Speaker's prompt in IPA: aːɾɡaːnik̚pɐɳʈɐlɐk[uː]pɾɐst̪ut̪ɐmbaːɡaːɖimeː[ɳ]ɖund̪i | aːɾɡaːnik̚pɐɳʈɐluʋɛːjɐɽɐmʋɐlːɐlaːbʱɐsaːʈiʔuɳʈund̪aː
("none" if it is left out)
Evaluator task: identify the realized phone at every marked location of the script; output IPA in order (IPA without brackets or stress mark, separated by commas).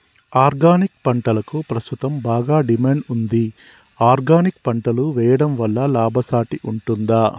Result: u, ɳ